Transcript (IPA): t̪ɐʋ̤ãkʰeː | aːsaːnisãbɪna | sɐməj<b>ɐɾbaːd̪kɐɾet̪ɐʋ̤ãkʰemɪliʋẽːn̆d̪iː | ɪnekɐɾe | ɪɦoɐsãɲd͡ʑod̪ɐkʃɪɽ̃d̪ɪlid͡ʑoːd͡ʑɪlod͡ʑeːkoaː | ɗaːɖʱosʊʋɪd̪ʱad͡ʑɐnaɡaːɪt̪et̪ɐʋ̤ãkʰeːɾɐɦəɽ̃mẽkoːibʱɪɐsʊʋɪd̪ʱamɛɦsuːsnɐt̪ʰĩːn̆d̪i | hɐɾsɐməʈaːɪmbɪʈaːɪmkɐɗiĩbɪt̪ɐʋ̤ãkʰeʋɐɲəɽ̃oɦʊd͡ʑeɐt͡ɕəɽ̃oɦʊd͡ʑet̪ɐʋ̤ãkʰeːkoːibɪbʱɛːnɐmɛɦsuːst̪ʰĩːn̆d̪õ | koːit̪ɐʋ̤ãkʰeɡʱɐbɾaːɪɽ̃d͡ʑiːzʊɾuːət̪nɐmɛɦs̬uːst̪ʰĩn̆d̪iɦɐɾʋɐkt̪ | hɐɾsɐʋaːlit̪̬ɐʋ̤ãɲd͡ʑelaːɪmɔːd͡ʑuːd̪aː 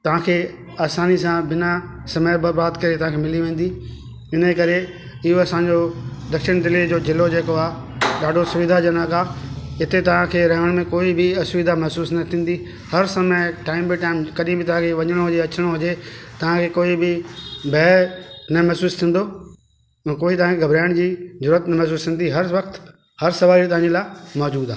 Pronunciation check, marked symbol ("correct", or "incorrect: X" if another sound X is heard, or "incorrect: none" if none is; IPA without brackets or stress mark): correct